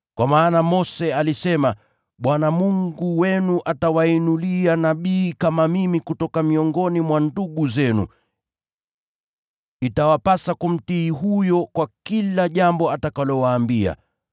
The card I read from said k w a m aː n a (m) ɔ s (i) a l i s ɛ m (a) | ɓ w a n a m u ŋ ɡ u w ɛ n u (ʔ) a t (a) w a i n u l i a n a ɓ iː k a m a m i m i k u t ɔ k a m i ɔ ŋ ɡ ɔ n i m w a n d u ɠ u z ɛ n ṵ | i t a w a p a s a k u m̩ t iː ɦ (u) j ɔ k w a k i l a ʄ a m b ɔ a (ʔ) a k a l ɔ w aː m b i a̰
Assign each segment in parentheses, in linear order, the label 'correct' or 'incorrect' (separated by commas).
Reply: correct, incorrect, correct, correct, correct, correct, incorrect